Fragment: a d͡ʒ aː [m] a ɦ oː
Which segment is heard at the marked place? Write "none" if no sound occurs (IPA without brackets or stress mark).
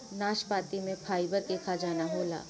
n